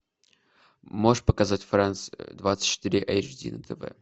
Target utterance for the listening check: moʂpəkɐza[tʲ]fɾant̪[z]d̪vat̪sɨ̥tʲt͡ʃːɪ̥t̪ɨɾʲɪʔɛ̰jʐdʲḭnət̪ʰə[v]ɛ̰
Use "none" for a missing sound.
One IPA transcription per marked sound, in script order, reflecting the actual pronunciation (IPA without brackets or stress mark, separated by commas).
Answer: tʲ, s, v